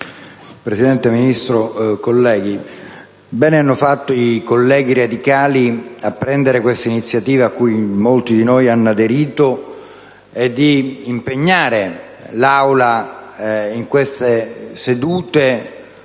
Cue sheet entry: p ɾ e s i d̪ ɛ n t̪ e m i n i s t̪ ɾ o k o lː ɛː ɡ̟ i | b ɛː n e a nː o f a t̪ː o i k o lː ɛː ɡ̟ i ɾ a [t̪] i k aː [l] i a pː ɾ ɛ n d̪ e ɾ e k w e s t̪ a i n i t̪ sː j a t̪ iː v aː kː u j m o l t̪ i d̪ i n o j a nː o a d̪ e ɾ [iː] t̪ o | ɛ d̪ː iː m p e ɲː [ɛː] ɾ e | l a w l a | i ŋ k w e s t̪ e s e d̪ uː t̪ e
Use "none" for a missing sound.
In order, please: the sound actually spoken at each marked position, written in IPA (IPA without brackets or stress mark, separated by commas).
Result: d̪, l, iː, aː